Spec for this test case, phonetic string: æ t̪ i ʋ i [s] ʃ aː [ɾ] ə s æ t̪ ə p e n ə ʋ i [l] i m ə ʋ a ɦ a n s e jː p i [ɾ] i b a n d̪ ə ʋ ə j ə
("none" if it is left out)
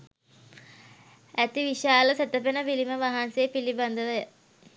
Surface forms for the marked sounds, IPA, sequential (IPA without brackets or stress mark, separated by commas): none, l, l, l